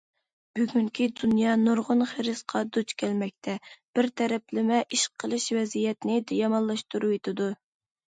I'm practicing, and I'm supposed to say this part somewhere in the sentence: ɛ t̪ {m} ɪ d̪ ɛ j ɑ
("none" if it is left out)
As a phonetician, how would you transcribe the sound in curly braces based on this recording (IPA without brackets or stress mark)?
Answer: n